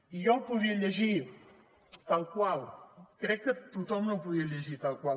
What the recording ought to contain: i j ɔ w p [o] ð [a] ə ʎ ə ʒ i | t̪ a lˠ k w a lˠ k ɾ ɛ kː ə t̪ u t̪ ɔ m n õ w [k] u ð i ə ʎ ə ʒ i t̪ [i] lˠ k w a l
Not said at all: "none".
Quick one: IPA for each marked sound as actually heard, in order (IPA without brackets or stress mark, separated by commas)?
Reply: u, i, p, a